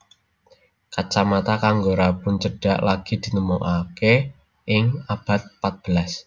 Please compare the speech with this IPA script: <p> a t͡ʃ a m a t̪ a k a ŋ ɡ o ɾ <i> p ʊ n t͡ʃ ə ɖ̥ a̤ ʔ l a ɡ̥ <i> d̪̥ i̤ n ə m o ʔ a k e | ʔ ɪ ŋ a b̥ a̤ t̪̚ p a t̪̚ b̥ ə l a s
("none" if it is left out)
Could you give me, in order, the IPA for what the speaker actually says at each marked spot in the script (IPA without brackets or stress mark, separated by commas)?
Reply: k, a, i